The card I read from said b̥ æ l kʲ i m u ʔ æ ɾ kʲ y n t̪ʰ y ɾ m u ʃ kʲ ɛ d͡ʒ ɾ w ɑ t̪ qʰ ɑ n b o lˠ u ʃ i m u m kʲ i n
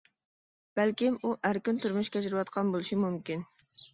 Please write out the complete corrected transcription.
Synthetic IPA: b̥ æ l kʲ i m u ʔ æ ɾ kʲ y n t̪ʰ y ɾ m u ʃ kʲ ɛ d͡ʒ ɾ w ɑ t̪ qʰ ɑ n b o lˠ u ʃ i m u m kʲ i n